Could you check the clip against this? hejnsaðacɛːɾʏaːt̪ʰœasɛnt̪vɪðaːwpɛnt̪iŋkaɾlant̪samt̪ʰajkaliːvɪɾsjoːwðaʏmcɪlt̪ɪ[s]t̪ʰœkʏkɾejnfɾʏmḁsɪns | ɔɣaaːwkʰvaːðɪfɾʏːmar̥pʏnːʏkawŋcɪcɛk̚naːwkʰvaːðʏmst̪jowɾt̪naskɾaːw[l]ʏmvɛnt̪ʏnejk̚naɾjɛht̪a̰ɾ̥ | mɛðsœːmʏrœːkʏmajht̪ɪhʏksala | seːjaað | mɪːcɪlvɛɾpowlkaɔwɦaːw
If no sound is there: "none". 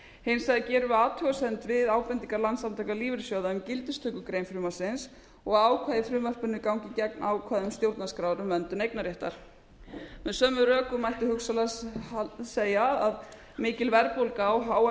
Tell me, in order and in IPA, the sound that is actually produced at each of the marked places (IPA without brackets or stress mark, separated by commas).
s, ɾ